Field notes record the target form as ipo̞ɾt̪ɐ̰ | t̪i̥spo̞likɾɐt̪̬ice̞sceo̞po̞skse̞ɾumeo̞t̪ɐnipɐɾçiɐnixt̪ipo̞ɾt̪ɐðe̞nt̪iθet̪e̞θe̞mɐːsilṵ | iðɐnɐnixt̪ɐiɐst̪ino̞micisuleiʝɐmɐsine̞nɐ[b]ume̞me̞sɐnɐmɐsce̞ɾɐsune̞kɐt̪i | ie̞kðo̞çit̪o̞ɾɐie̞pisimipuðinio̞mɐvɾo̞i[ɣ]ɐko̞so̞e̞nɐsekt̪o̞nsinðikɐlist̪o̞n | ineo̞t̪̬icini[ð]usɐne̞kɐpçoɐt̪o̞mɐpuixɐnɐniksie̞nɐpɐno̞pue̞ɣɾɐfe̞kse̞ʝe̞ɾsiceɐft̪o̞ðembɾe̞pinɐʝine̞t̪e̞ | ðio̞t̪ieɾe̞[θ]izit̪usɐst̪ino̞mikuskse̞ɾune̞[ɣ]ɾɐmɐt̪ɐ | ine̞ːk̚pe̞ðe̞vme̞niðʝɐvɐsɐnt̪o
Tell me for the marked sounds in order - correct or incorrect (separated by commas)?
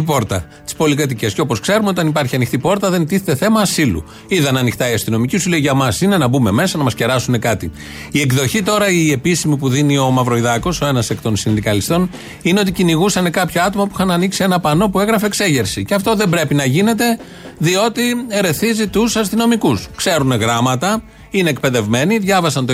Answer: correct, incorrect, incorrect, correct, correct